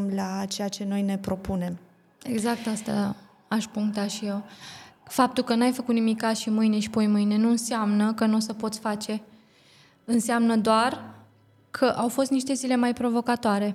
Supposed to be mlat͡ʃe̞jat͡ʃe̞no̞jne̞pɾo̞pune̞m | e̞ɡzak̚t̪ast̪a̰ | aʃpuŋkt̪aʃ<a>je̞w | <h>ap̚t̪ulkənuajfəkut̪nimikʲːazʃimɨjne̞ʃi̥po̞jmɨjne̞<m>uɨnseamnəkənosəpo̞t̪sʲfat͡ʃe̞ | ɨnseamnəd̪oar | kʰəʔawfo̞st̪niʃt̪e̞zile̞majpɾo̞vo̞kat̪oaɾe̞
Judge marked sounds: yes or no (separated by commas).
no, no, no